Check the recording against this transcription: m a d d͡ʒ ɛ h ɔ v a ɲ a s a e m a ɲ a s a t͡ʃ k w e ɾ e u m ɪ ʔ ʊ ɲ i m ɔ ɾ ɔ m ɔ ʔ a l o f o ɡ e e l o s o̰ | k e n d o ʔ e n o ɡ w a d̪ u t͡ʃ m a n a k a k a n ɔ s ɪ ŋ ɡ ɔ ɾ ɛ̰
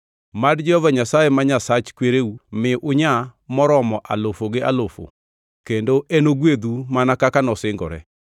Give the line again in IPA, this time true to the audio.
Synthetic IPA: m a d d͡ʒ ɛ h ɔ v a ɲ a s a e m a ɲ a s a t͡ʃ k w e ɾ e u m ɪ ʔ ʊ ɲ a m ɔ ɾ ɔ m ɔ ʔ a l o f o ɡ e a l o f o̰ | k e n d o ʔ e n o ɡ w e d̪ u m a n a k a k a n ɔ s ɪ ŋ ɡ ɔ ɾ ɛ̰